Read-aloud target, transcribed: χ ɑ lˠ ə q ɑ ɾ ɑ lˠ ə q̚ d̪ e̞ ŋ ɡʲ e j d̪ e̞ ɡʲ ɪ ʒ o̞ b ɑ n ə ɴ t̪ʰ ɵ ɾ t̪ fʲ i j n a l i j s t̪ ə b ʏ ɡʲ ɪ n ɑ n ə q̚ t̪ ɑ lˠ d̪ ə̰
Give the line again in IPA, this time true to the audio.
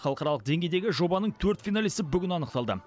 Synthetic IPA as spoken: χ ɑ lˠ ə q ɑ ɾ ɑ lˠ ə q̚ d̪ e̞ ŋ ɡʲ e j d̪ e̞ ɡʲ ɪ ʒ o̞ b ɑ n ə ɴ t̪ʰ ɵ ɾ t̪ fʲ i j n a l i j s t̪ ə b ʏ ɡʲ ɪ n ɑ n ə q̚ t̪ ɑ lˠ d̪ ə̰